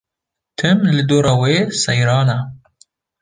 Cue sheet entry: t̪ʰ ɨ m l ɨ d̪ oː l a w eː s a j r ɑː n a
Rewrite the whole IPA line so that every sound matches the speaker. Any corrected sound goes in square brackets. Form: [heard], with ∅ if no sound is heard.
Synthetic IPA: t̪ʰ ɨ m l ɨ d̪ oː [ɾ] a w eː s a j [ɾ] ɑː n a

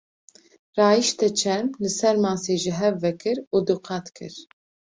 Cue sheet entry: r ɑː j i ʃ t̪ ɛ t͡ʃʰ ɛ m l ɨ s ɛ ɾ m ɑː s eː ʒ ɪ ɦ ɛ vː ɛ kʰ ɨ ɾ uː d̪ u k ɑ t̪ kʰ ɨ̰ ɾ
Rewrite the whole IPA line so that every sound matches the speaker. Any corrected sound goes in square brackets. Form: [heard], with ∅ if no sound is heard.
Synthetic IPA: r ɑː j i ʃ t̪ ɛ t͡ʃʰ ɛ m l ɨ s ɛ ɾ m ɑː s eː ʒ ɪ ɦ ɛ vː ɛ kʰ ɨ ɾ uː d̪ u [q] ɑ t̪ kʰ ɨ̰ ɾ

